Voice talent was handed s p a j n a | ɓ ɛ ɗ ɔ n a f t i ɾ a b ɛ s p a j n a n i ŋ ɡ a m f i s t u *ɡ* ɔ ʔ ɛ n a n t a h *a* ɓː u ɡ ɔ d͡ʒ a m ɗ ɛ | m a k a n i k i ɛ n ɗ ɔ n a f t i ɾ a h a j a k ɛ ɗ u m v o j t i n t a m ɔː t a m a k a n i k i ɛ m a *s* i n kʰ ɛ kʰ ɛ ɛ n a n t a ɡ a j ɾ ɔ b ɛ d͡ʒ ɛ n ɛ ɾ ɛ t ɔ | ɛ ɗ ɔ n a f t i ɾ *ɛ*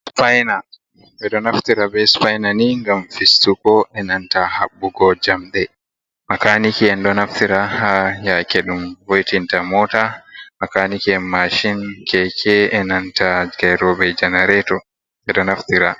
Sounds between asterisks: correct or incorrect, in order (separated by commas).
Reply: incorrect, correct, incorrect, incorrect